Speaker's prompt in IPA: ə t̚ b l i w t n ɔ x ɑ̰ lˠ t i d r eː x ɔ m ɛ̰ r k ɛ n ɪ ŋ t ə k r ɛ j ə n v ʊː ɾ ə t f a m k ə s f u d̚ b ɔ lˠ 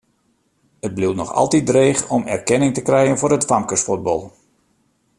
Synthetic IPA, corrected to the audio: ə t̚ b l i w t n ɔ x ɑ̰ lˠ t i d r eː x ɔ m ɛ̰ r k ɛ n ɪ ŋ t ə k r ɛ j ə n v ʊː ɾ ə t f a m k ə s f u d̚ b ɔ lˠ